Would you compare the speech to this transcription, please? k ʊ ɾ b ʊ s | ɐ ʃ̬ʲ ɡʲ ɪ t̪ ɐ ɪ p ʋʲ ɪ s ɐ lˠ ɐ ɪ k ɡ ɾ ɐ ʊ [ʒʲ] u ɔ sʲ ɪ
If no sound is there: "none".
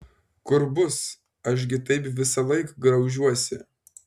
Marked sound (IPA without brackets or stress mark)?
ʒʲ